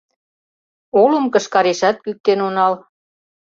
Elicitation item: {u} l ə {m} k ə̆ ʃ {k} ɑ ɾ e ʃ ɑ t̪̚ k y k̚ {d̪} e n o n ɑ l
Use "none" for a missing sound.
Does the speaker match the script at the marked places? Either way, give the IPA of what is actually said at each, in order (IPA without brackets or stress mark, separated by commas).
o, m, k, t̪